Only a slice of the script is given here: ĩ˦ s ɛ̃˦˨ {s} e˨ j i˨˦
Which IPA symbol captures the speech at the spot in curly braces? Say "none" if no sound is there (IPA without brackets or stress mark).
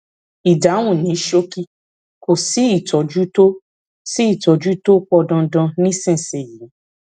s